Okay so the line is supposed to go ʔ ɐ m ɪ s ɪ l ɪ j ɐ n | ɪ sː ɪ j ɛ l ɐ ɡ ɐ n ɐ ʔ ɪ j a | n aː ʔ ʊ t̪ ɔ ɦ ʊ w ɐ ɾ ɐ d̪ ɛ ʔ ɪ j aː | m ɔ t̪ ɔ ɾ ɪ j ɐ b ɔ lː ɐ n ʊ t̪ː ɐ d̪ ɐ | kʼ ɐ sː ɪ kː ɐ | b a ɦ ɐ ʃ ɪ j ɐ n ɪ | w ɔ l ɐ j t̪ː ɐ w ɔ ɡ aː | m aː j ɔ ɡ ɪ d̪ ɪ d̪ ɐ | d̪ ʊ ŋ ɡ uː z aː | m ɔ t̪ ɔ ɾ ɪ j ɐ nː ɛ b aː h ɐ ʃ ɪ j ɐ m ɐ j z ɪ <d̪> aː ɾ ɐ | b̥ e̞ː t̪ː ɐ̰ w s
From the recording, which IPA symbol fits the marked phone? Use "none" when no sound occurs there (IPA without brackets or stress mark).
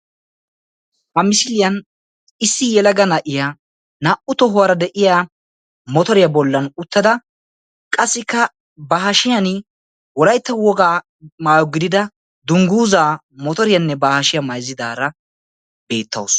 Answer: d̪